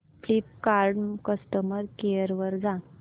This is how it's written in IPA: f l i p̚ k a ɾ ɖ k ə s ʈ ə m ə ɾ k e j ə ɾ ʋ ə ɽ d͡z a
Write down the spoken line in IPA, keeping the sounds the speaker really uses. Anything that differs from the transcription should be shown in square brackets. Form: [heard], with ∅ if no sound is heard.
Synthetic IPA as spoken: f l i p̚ k a ɾ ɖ k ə s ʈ ə m ə ɾ k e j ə ɾ ʋ ə [ɾ] d͡z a